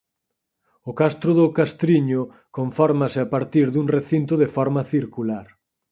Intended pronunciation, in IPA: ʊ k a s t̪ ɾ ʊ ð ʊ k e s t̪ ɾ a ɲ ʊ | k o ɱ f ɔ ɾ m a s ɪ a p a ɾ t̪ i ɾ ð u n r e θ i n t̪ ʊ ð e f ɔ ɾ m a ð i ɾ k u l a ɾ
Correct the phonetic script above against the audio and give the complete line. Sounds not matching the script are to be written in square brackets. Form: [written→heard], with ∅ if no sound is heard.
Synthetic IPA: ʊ k a s t̪ ɾ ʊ ð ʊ k [e→a] s t̪ ɾ [a→i] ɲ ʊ | k o ɱ f ɔ ɾ m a s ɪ a p a ɾ t̪ i ɾ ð u [n→ŋ] r e θ i n t̪ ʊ ð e f ɔ ɾ m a [ð→θ] i ɾ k u l a ɾ